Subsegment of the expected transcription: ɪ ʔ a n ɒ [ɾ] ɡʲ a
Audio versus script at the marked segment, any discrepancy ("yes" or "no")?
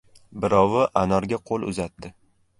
no